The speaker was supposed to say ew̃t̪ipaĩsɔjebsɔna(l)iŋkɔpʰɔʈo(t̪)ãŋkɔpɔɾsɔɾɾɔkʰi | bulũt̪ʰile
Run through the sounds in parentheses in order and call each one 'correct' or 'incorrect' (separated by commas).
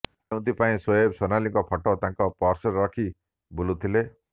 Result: correct, correct